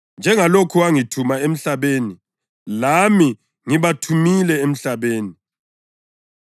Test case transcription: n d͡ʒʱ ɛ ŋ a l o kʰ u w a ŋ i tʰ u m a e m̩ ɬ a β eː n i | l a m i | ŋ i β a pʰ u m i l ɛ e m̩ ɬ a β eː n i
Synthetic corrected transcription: n d͡ʒʱ ɛ ŋ a l o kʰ u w a ŋ i tʰ u m a e m̩ ɬ a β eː n i | l a m i | ŋ i β a tʰ u m i l ɛ e m̩ ɬ a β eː n i